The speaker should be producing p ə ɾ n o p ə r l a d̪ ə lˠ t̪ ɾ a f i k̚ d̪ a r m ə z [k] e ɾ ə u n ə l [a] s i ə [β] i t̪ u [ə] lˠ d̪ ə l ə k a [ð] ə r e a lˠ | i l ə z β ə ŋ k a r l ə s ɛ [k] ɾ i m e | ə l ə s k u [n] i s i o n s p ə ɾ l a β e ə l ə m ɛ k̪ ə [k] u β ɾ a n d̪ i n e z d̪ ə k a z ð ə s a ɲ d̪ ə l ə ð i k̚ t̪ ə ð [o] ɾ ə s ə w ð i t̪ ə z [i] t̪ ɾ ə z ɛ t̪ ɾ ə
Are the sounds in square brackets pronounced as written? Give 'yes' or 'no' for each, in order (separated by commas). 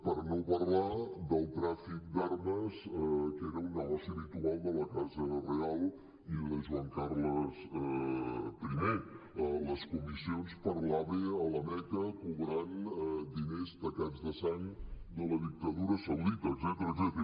yes, yes, yes, no, no, no, no, yes, no, no